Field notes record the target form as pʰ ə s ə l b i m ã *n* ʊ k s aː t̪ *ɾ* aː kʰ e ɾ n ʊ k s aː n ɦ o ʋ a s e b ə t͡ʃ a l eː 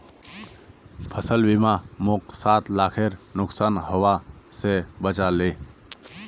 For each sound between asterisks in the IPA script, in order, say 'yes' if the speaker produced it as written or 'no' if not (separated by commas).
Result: no, no